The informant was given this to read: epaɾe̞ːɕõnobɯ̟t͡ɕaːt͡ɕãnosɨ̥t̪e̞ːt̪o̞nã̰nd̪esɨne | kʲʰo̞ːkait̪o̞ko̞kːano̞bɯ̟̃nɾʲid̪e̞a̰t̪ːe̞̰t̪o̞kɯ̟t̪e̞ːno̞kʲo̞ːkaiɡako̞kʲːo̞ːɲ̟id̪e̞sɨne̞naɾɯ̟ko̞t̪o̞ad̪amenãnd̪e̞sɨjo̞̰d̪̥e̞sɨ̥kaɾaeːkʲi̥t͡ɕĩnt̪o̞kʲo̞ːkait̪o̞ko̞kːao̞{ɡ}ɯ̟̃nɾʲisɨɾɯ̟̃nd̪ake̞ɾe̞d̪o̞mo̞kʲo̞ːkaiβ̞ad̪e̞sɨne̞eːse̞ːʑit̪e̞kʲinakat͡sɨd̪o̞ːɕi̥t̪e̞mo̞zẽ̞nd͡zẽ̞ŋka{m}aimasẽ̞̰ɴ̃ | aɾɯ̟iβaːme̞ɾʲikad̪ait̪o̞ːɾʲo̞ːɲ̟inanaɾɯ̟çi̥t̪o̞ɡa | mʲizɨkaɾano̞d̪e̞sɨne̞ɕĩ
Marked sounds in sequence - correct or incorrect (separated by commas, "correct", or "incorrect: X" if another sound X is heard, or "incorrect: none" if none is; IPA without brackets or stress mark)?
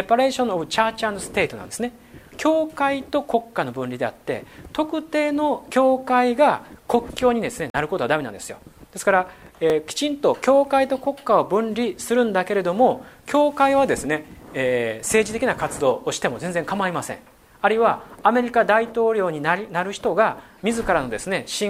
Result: incorrect: b, correct